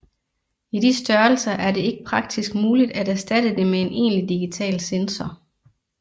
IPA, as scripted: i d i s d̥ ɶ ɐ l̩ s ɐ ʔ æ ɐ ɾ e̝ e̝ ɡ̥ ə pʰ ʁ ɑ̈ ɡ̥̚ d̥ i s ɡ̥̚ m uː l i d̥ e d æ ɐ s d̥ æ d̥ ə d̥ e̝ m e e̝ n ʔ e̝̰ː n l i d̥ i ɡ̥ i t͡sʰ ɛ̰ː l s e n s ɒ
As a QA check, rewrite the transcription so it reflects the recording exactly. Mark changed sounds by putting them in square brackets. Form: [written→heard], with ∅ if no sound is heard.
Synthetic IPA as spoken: i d i s d̥ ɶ ɐ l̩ s ɐ ʔ æ ɐ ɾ e̝ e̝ ɡ̥ ə pʰ ʁ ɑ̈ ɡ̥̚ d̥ i s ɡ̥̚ m uː l i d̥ [e→æ] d æ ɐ s d̥ æ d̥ ə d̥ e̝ m e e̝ n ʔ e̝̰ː n l i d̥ i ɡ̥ i t͡sʰ ɛ̰ː l s e n s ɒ